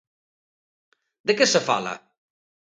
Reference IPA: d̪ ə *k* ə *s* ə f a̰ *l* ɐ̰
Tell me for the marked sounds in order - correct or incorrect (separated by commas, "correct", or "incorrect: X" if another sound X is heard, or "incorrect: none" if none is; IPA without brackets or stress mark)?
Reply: correct, correct, correct